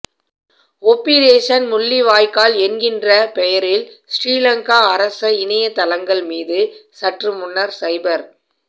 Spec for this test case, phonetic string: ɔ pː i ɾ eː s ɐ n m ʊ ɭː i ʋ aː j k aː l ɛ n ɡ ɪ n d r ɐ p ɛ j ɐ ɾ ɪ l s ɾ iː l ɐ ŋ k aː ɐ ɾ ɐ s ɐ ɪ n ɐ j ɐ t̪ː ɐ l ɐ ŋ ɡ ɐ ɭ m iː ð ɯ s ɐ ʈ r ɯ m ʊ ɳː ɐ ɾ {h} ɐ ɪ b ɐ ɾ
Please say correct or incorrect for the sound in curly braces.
incorrect